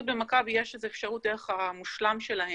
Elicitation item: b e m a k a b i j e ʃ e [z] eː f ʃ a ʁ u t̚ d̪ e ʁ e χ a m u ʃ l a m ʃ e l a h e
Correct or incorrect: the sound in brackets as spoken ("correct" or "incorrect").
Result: correct